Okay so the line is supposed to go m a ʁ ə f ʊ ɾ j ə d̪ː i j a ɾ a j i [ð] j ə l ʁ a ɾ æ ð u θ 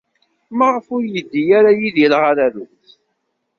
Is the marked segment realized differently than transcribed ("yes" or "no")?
no